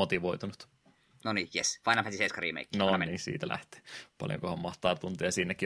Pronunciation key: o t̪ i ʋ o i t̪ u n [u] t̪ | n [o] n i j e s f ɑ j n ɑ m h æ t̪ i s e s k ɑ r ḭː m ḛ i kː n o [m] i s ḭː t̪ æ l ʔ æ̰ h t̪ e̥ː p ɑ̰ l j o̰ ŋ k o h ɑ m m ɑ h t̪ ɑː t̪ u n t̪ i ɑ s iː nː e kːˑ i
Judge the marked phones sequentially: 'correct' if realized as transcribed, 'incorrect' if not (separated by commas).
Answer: correct, correct, incorrect